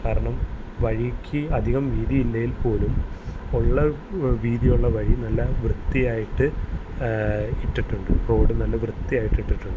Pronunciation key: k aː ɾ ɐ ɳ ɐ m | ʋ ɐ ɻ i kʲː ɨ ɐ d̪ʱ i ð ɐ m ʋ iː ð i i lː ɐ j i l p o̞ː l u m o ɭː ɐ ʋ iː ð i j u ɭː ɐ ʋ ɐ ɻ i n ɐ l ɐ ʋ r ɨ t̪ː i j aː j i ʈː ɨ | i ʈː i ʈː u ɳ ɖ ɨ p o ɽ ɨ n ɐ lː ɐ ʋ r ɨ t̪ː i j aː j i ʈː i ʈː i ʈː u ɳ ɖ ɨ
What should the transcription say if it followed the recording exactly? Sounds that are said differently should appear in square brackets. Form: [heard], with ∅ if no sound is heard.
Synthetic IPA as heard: k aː ɾ ɐ ɳ ɐ m | ʋ ɐ ɻ i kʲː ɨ ɐ d̪ʱ i [ɣ] ɐ m ʋ iː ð i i lː ɐ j i l p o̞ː l u m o ɭː ɐ ʋ iː ð i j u ɭː ɐ ʋ ɐ ɻ i n ɐ [lː] ɐ ʋ r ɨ t̪ː i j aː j i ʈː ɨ | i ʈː i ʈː u ɳ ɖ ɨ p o ɽ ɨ n ɐ lː ɐ ʋ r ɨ t̪ː i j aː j i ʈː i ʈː i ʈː u ɳ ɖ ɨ